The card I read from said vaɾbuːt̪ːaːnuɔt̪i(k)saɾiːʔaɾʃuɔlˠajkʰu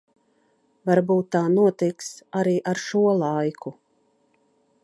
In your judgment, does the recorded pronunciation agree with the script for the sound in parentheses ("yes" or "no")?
yes